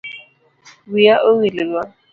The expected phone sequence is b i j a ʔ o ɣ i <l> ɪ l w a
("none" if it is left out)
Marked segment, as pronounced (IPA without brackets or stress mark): l